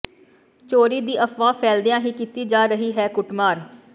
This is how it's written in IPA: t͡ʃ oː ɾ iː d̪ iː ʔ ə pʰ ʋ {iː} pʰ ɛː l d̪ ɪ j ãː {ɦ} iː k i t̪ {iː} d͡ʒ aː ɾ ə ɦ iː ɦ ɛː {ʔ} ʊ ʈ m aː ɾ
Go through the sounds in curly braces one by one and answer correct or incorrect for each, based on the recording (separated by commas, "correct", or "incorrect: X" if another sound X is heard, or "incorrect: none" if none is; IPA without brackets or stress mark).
incorrect: aː, correct, correct, incorrect: k